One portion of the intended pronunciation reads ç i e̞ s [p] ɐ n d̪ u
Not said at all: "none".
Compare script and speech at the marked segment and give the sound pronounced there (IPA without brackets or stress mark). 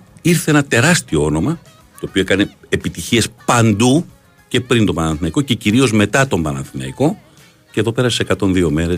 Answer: p